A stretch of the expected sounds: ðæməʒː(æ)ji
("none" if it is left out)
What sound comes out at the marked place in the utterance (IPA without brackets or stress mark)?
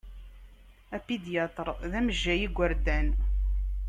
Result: æ